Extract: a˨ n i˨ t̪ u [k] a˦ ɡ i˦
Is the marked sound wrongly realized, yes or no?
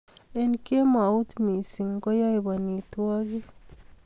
yes